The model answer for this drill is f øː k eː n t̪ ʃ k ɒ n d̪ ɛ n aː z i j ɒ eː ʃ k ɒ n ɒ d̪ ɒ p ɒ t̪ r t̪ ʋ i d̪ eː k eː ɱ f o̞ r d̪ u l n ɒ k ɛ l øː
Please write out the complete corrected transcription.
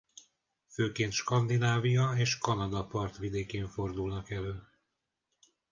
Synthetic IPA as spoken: f øː k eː n t̪ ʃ k ɒ n d̪ i n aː v i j ɒ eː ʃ k ɒ n ɒ d̪ ɒ p ɒ r t̪ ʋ i d̪ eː k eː ɱ f o̞ r d̪ u l n ɒ k ɛ l øː